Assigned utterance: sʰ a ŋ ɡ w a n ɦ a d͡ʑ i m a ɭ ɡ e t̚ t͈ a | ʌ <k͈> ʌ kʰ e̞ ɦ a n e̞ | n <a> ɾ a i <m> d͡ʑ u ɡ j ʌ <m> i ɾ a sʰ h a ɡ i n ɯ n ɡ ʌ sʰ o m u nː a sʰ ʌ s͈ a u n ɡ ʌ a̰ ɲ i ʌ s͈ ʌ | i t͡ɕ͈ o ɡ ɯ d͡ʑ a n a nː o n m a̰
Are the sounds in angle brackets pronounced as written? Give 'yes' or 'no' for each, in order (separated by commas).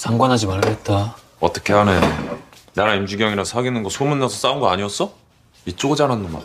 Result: no, yes, yes, no